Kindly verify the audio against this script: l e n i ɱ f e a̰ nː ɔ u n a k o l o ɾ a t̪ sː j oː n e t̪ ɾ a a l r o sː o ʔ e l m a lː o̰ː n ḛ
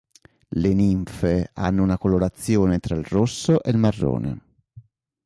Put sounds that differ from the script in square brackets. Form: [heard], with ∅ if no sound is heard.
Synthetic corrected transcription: l e n i ɱ f e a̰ nː [o] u n a k o l o ɾ a t̪ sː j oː n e t̪ ɾ a [i] l r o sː o ʔ e l m a [rː] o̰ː n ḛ